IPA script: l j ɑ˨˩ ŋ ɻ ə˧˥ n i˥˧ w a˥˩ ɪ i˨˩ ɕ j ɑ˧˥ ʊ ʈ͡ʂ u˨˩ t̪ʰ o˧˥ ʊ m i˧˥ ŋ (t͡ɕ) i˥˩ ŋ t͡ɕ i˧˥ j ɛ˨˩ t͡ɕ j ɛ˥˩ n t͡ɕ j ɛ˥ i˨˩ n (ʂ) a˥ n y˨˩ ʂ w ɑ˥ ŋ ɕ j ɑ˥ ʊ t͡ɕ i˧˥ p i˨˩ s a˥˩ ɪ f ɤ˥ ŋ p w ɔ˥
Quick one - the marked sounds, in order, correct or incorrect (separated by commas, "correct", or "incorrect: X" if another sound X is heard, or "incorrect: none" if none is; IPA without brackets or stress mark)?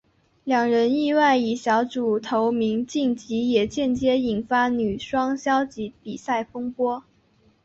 correct, incorrect: f